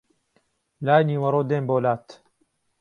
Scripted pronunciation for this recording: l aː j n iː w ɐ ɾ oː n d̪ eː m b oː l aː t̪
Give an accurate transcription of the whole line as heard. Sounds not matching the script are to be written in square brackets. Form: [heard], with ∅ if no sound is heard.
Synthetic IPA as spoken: l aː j n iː w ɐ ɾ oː [∅] d̪ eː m b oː l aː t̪